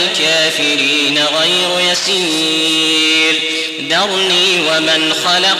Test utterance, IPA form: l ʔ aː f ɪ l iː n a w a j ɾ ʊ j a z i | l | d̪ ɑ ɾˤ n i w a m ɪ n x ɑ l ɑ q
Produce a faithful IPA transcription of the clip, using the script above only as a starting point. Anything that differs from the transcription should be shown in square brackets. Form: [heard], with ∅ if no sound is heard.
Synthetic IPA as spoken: l [k] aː f ɪ [ɾ] iː n a [ɣ] a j ɾ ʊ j a [s] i | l | d̪ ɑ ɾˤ n [iː] w a m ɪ n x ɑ l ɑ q